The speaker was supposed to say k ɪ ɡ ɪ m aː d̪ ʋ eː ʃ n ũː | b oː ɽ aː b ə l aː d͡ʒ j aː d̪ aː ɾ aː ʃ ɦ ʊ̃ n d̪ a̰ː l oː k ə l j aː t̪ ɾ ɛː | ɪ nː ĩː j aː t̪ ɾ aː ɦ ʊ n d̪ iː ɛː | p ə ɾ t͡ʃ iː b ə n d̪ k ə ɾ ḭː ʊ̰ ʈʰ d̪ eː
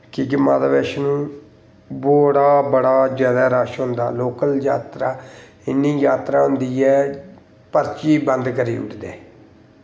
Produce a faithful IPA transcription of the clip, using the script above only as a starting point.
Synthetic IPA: k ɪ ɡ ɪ m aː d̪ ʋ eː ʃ n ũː | b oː ɽ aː b ə ɽ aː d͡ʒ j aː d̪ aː ɾ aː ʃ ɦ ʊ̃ n d̪ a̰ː l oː k ə l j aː t̪ ɾ aː | ɪ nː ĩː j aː t̪ ɾ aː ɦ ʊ n d̪ iː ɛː | p ə ɾ t͡ʃ iː b ə n d̪ k ə ɾ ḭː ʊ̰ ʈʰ d̪ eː